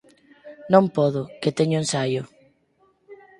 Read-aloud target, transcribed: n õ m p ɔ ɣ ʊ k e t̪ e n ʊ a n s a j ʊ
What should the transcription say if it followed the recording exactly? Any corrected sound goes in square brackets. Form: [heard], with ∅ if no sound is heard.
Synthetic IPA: n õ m p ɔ [ð] ʊ k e t̪ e [ɲ] ʊ [e] n s a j ʊ